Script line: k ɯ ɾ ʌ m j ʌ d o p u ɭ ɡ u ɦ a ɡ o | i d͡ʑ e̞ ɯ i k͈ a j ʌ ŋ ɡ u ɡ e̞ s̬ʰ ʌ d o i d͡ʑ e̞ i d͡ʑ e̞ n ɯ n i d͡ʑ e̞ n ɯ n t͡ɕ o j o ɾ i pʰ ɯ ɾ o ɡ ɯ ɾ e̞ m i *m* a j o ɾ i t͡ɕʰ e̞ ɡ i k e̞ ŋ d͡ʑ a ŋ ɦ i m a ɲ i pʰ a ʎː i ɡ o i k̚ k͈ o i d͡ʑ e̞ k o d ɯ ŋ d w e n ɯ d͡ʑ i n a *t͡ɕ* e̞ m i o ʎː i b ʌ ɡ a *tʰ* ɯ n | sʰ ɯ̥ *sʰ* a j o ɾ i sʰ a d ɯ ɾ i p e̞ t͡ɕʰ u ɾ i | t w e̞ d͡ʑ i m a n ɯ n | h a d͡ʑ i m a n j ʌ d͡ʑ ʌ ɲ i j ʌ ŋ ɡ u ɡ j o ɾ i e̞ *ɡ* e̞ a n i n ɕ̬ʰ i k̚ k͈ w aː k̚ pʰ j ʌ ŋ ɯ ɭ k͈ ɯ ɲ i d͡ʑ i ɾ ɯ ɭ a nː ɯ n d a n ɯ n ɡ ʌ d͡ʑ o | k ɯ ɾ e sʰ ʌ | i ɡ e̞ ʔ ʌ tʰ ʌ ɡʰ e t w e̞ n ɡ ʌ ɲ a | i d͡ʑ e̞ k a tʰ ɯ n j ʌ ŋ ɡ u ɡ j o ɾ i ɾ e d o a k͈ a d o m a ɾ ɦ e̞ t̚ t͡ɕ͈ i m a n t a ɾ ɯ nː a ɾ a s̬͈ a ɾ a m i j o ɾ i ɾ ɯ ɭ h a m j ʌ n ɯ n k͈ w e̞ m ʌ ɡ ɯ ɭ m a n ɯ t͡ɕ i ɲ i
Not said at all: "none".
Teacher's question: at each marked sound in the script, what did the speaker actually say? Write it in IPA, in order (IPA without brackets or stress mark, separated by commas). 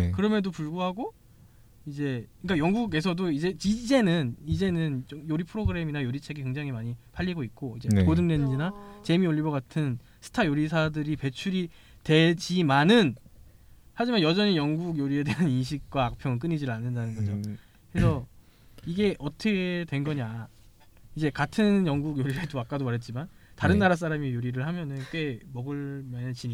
n, t͡ɕ, tʰ, tʰ, d